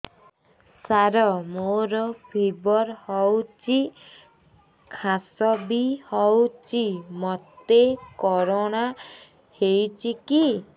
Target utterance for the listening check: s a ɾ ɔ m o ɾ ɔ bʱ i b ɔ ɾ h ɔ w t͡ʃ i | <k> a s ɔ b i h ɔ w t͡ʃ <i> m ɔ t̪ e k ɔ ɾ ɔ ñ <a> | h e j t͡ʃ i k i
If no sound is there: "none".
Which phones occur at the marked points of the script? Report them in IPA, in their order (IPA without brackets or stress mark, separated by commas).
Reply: kʰ, i, a